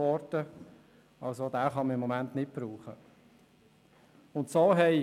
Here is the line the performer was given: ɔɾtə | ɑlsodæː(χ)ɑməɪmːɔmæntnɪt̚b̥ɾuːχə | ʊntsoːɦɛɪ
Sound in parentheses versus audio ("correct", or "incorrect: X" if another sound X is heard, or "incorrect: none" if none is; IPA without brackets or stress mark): correct